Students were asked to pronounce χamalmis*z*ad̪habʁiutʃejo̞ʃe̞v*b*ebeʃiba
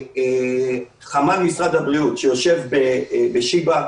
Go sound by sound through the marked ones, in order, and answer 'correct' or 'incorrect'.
incorrect, correct

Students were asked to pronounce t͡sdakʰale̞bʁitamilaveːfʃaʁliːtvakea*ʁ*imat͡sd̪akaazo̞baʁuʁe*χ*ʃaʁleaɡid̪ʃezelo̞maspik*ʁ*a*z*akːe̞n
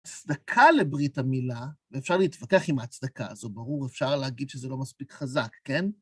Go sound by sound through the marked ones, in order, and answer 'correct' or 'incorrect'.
incorrect, incorrect, incorrect, correct

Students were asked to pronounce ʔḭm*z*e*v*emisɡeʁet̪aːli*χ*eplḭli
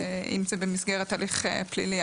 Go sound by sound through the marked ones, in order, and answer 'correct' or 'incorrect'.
correct, incorrect, correct

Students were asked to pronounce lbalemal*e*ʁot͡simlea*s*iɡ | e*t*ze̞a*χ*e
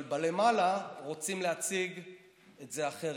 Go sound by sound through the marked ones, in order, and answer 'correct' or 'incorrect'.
incorrect, incorrect, correct, correct

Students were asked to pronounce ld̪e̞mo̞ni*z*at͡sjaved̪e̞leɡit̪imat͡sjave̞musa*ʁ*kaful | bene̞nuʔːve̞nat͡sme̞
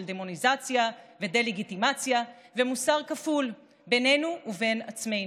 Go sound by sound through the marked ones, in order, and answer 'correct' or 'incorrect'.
correct, correct

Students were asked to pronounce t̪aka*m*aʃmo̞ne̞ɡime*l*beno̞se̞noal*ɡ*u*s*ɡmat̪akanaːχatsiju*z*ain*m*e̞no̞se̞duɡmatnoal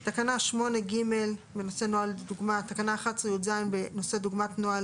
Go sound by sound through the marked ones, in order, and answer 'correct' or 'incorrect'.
incorrect, correct, incorrect, incorrect, correct, incorrect

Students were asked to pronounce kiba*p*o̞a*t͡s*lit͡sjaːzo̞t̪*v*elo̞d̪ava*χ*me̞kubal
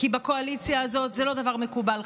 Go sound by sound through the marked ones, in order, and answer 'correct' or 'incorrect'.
incorrect, incorrect, incorrect, incorrect

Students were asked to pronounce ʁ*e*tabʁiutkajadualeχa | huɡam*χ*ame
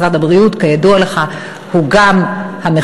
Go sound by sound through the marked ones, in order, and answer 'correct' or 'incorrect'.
incorrect, incorrect

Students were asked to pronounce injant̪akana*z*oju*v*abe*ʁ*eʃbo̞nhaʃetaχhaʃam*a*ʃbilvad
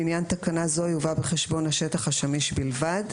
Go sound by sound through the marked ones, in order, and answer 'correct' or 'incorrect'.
correct, correct, incorrect, incorrect

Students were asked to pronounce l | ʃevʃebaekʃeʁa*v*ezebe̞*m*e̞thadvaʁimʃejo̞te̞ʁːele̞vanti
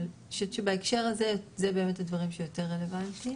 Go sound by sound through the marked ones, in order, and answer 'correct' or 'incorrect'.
incorrect, correct

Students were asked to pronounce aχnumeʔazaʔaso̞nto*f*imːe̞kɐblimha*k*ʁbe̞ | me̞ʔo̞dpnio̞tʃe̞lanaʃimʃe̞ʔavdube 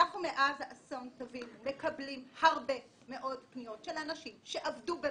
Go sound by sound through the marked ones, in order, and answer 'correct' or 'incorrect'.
incorrect, incorrect

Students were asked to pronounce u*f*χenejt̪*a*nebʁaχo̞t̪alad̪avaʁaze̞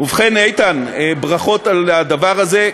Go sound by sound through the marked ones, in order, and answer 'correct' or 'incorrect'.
incorrect, correct

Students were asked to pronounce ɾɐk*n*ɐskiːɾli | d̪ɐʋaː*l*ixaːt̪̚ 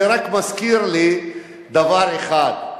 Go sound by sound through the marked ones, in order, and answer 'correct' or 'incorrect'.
incorrect, incorrect

